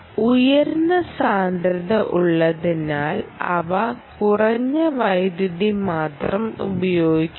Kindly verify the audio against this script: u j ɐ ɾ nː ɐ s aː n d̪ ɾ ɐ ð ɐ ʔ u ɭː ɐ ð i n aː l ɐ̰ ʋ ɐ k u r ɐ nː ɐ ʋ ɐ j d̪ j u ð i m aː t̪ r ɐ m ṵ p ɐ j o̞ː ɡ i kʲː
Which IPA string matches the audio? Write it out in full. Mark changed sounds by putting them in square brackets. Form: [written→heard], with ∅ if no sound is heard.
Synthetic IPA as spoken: u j ɐ ɾ nː ɐ s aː n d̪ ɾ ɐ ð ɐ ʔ u ɭː ɐ ð i n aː l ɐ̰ ʋ ɐ k u r ɐ [nː→ɲː] ɐ ʋ ɐ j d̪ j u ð i m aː t̪ r ɐ m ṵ [p→b] ɐ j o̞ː ɡ i kʲː